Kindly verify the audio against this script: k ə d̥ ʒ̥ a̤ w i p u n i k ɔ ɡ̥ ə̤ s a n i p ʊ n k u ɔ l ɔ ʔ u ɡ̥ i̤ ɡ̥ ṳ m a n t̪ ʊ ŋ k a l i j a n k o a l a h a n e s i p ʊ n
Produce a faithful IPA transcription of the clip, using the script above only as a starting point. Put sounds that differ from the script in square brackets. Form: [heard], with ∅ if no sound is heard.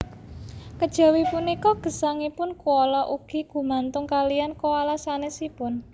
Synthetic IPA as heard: k ə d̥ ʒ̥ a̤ w i p u n i k ɔ ɡ̥ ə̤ s a [ŋ] i p ʊ n k u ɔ l ɔ ʔ u ɡ̥ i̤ ɡ̥ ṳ m a n t̪ ʊ ŋ k a l i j a n k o a l a [s] a n e s i p ʊ n

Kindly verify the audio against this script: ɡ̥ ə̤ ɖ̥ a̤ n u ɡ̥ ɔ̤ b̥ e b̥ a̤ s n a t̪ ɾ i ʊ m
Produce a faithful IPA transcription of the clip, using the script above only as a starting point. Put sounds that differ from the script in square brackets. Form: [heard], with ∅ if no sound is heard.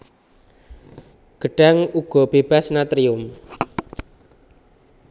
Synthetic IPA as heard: ɡ̥ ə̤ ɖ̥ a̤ [ŋ] u ɡ̥ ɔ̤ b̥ e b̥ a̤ s n a t̪ ɾ i ʊ m

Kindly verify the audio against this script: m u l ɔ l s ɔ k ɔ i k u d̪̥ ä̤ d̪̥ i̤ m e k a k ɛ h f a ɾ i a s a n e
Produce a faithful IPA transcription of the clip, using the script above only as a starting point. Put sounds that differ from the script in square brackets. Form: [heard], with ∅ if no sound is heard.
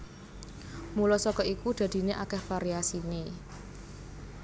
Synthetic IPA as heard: m u l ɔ [∅] s ɔ k ɔ i k u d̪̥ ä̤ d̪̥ i̤ [n] e [ʔ] a k ɛ h f a ɾ i a s [i] n e

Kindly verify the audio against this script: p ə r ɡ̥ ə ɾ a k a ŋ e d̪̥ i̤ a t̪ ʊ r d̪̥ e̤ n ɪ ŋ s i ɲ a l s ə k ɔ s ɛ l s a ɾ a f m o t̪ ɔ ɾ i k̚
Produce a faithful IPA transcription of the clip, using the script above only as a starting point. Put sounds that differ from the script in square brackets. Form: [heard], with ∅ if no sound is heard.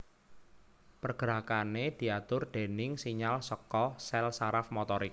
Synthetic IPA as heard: p ə r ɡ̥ ə ɾ a k a [n] e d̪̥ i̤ a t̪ ʊ r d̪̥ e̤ n ɪ ŋ s i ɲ a l s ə k ɔ s ɛ l s a ɾ a f m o t̪ ɔ ɾ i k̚

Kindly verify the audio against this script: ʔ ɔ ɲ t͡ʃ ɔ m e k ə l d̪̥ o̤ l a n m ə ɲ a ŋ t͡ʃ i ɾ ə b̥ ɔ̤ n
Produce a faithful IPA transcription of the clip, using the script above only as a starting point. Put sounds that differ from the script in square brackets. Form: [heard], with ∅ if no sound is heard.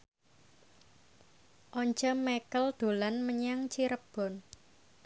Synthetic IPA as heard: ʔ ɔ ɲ t͡ʃ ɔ m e k ə l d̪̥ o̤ l a n m ə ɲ a ŋ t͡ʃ i ɾ ə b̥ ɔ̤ n

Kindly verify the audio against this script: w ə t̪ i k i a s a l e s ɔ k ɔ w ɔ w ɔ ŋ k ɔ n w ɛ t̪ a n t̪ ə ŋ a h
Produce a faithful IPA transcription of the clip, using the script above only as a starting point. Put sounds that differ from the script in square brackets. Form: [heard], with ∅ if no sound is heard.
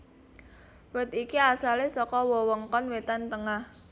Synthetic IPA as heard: w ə t̪ i k i a s a l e s ɔ k ɔ w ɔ w ɔ ŋ k ɔ n w [e] t̪ a n t̪ ə ŋ a h

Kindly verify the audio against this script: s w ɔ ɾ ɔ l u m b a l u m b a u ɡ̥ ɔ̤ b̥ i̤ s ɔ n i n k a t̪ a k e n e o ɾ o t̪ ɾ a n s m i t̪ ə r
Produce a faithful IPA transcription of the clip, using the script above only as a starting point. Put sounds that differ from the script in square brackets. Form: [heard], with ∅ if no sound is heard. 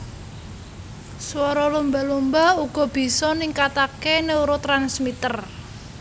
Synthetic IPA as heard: s w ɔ ɾ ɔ l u m b a l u m b a u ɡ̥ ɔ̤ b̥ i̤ s ɔ n i [ŋ] k a t̪ a k e n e [u] ɾ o t̪ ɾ a n s m i t̪ ə r

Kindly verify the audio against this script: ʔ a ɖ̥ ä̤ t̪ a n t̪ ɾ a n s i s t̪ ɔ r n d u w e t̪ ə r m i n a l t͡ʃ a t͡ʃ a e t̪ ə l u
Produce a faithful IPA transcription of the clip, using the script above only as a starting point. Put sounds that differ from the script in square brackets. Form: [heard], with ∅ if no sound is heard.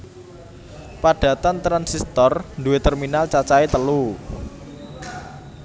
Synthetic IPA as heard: [p] a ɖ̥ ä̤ t̪ a n t̪ ɾ a n s i s t̪ ɔ r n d u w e t̪ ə r m i n a l t͡ʃ a t͡ʃ a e t̪ ə l u

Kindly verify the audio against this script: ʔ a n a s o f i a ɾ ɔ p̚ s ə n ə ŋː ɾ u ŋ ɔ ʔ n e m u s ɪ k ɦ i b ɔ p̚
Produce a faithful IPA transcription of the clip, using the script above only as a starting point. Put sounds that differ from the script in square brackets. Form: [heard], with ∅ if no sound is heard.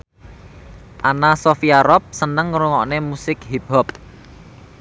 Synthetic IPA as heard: ʔ a n a s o f i a ɾ ɔ p̚ s ə n ə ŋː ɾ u ŋ ɔ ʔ n e m u s ɪ k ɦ i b ɔ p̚

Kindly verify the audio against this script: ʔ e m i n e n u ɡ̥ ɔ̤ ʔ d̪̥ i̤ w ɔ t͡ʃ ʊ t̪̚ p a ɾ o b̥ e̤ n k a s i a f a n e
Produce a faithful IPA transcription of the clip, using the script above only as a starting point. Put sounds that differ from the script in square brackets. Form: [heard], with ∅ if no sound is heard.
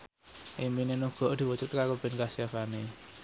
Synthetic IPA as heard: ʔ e m i n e n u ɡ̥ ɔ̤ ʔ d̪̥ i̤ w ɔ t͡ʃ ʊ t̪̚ [k] a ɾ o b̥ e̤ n k a s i a f a n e

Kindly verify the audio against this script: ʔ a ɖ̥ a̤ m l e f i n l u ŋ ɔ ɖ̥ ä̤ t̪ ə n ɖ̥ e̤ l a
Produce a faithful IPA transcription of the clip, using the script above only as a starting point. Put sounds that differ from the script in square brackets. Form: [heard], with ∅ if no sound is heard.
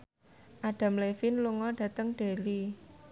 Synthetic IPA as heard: ʔ a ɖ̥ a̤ m l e f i n l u ŋ ɔ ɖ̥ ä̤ t̪ ə [ŋ] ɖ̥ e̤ l [i]

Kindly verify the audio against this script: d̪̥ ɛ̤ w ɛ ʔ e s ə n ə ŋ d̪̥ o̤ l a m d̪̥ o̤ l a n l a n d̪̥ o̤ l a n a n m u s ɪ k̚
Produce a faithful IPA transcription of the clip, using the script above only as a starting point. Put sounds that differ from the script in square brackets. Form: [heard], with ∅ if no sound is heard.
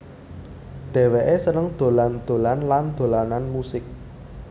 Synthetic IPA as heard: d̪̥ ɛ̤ w [e] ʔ e s ə n ə ŋ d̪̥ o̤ l a [n] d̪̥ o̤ l a n l a n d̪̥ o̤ l a n a n m u s ɪ k̚

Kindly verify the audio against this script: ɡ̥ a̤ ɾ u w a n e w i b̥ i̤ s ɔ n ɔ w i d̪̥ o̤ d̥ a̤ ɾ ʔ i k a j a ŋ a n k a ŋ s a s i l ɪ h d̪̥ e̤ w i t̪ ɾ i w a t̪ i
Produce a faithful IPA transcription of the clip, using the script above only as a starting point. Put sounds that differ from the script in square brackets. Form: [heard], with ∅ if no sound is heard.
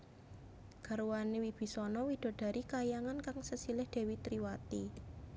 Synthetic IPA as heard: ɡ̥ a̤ ɾ u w a n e w i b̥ i̤ s ɔ n ɔ w i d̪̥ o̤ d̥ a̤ ɾ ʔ i k a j a ŋ a n k a ŋ s [ə] s i l ɪ h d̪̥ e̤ w i t̪ ɾ i w a t̪ i

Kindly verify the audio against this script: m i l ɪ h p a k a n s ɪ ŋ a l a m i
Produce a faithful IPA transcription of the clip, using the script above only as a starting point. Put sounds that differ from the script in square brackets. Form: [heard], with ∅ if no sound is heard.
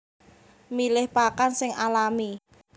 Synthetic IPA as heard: m i l ɪ h p a k a n s ɪ ŋ a l a m i

